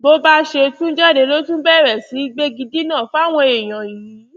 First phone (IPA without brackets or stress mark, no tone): b